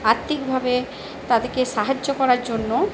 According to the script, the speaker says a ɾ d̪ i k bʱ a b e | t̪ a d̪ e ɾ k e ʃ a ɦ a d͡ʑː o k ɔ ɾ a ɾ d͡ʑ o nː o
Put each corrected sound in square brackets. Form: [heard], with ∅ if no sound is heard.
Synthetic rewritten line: a ɾ [t̪] i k bʱ a b e | t̪ a d̪ e ɾ k e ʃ a ɦ a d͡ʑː o k ɔ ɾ a ɾ d͡ʑ o nː o

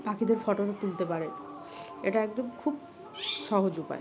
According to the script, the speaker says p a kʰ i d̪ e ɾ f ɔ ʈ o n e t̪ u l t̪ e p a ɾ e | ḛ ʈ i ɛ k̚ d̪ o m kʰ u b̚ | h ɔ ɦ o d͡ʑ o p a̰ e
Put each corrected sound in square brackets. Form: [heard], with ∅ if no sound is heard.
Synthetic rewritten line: p a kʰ i d̪ e ɾ f ɔ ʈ o n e t̪ u l t̪ e p a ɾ e | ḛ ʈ [a] ɛ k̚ d̪ o m kʰ u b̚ | [ʃ] ɔ ɦ o d͡ʑ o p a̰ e

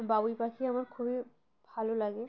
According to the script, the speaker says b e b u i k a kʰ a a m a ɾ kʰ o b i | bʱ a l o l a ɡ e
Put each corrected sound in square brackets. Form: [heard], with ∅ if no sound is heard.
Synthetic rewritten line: b [a] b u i [p] a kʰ [i] a m a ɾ kʰ [u] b i | bʱ a l o l a ɡ e

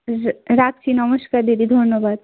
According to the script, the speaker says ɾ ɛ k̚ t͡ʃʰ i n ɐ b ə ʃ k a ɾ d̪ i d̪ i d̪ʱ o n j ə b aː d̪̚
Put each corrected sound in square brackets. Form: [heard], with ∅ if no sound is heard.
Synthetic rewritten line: ɾ [a] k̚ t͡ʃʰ i n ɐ [m] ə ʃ k a ɾ d̪ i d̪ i d̪ʱ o n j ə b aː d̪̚

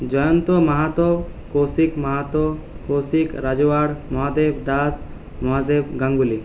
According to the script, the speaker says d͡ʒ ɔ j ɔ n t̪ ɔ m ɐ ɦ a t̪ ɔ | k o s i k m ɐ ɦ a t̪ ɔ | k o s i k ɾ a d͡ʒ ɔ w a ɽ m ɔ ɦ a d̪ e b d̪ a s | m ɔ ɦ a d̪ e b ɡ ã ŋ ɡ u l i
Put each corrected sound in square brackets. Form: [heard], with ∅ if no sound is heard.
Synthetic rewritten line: d͡ʒ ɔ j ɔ n t̪ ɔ m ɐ ɦ a t̪ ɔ | k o s i k m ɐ ɦ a t̪ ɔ | k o s i k ɾ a d͡ʒ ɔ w a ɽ m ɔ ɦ a d̪ e b d̪ a s | m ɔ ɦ a d̪ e b ɡ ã ŋ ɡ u l i

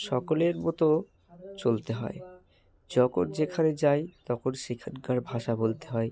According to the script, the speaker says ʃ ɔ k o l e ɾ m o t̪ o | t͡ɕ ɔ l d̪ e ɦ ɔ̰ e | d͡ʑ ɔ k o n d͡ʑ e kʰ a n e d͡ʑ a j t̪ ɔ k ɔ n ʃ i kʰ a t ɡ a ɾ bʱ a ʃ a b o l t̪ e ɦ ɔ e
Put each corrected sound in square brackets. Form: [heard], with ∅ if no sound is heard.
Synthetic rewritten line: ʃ ɔ k o l e ɾ m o t̪ o | t͡ɕ [o] l [t̪] e ɦ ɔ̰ e | d͡ʑ ɔ k o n d͡ʑ e kʰ a n e d͡ʑ a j t̪ ɔ k [o] n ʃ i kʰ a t ɡ a ɾ bʱ a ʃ a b o l t̪ e ɦ ɔ e

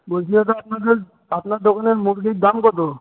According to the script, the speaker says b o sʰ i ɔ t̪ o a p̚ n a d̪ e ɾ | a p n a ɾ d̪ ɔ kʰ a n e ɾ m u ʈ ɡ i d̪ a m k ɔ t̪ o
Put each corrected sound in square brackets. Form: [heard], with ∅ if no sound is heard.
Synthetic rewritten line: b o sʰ i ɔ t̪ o a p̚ n a d̪ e ɾ | a p n a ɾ d̪ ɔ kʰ a n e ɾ m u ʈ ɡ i d̪ a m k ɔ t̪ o

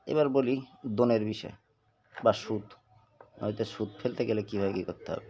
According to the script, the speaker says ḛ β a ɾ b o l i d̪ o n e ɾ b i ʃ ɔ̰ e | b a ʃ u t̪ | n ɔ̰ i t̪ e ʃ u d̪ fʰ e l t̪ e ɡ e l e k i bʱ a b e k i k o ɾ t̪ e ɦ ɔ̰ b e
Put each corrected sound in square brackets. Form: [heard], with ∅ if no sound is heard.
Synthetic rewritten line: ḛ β a ɾ b o l i d̪ o n e ɾ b i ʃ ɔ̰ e | b a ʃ u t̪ | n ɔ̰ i t̪ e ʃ u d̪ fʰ e l t̪ e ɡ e l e k i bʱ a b e k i k o ɾ t̪ e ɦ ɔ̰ b e

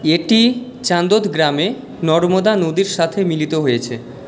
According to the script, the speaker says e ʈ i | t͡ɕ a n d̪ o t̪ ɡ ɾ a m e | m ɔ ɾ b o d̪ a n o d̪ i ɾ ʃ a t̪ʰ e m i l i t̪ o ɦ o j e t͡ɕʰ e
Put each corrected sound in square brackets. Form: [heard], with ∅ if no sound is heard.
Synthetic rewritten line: e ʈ i | t͡ɕ a n d̪ o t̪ ɡ ɾ a m e | [n] ɔ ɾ [m] o d̪ a n o d̪ i ɾ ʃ a t̪ʰ e m i l i t̪ o ɦ o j e t͡ɕʰ e

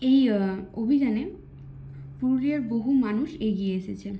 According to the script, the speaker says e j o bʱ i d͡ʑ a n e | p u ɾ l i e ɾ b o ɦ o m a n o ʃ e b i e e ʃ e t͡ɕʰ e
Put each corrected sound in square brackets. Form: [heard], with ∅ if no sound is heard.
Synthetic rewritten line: e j o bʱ i d͡ʑ a n e | p u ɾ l i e ɾ b o ɦ [u] m a n [u] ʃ e [ɡ] i e e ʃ e t͡ɕʰ e

